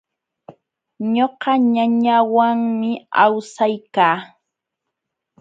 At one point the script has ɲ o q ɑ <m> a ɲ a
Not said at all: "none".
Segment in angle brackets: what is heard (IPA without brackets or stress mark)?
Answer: ɲ